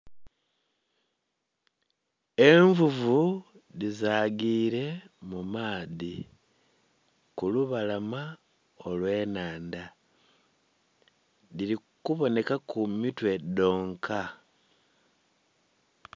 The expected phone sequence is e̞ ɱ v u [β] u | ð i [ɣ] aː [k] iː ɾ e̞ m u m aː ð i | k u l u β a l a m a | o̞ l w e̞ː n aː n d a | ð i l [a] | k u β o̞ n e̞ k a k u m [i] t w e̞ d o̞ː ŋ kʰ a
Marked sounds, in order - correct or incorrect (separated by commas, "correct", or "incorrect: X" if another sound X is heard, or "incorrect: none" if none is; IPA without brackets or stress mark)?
incorrect: v, incorrect: z, incorrect: ɡ, incorrect: i, correct